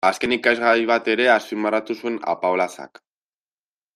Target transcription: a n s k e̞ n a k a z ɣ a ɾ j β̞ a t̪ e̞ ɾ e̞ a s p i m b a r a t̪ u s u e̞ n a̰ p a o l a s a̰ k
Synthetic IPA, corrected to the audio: a s k e̞ n i k a z ɣ a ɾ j β̞ a t̪ e̞ ɾ e̞ a s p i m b a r a t̪ u s u e̞ n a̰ p a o l a s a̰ k